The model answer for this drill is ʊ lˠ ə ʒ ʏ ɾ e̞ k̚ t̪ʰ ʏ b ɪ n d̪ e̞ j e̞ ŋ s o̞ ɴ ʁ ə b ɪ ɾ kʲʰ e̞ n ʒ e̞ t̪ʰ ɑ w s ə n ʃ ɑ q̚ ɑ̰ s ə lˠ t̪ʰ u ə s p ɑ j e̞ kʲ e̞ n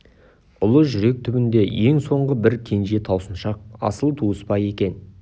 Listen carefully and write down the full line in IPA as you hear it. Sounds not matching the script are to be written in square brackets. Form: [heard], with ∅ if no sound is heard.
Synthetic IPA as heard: ʊ lˠ ə ʒ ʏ ɾ e̞ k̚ t̪ʰ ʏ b ɪ n d̪ e̞ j e̞ ŋ s o̞ ɴ ʁ ə b ɪ ɾ kʲʰ e̞ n ʒ e̞ t̪ʰ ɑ w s ə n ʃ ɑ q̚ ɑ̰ s ə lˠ t̪ʰ u ə s p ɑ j e̞ kʲ e̞ n